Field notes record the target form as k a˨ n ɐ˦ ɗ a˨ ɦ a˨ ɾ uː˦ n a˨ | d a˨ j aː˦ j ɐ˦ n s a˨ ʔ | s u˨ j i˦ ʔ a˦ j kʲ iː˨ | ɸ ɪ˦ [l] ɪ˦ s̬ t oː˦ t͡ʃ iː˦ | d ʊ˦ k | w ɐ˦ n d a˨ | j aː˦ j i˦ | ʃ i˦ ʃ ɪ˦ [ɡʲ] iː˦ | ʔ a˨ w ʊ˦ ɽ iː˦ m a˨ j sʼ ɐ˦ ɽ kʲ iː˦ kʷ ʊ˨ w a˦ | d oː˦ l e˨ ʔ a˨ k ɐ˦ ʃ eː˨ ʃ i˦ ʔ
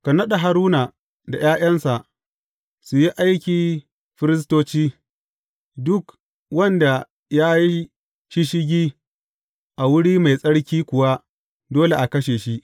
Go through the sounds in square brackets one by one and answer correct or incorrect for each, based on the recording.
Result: incorrect: ɾ, correct

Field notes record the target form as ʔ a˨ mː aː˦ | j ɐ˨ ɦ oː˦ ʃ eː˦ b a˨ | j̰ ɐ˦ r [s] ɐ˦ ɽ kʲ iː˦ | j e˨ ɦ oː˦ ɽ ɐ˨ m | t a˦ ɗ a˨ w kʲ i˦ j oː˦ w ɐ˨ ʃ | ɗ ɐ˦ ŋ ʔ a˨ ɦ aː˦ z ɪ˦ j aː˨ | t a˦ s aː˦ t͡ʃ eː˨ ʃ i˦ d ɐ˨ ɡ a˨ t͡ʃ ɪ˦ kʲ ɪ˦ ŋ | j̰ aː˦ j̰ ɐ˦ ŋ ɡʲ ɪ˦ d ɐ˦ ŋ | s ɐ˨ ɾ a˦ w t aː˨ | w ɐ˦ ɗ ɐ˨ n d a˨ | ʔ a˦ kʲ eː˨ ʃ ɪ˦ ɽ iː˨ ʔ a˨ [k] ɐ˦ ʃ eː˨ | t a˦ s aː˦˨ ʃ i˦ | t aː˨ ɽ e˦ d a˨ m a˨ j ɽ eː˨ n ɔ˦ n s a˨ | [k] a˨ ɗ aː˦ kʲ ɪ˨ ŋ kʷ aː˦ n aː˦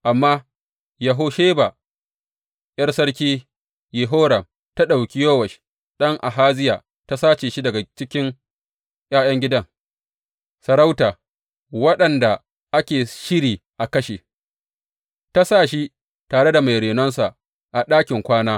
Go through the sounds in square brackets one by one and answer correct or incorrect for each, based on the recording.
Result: correct, correct, incorrect: ʔ

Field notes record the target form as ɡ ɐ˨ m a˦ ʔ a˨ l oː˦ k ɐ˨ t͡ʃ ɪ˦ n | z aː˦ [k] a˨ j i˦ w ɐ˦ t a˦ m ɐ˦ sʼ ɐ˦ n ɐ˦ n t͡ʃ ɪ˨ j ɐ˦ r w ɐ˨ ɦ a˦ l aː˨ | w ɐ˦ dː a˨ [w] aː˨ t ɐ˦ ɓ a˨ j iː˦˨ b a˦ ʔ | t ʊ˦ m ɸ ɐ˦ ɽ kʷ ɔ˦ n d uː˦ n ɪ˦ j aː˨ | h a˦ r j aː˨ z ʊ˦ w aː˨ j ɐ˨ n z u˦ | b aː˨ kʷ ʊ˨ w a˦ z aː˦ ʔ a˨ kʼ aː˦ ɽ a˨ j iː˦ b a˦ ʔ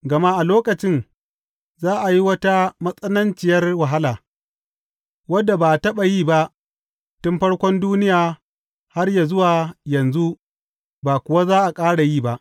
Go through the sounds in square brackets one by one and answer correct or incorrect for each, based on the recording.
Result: incorrect: ʔ, incorrect: b

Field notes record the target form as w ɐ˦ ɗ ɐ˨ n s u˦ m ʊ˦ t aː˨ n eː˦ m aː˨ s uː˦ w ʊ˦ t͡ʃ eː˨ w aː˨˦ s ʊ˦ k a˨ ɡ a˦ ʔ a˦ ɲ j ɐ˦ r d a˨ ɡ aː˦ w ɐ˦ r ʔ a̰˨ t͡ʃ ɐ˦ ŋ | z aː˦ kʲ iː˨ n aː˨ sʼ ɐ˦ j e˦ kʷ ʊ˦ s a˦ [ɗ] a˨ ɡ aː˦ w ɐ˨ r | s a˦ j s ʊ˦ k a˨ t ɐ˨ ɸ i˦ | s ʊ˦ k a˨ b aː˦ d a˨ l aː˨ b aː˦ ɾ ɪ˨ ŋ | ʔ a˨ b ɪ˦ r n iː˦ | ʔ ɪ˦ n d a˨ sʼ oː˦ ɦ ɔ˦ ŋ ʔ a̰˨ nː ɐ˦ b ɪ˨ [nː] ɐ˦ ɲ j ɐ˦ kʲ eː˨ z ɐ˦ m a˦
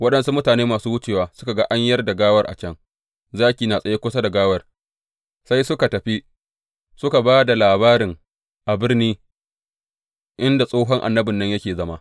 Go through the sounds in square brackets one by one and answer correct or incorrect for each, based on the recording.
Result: incorrect: d, correct

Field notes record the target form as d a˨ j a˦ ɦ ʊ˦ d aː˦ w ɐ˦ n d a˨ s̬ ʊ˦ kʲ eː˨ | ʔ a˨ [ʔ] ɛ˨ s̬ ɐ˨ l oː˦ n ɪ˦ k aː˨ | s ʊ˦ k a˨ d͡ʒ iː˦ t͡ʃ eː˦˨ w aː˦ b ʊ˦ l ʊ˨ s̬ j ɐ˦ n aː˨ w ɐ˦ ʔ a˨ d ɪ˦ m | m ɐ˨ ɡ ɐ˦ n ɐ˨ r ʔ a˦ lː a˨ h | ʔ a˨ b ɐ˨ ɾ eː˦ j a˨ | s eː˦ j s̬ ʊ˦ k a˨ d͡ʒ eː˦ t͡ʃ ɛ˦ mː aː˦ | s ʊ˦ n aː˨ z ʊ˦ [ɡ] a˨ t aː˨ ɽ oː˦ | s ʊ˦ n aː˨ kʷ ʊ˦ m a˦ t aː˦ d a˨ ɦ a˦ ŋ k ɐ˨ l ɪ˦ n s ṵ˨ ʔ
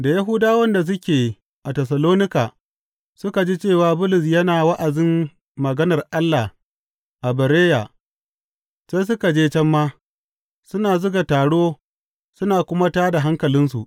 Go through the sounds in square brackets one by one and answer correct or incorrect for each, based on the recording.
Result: incorrect: t, correct

